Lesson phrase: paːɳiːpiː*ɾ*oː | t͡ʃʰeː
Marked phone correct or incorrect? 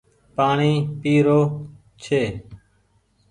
correct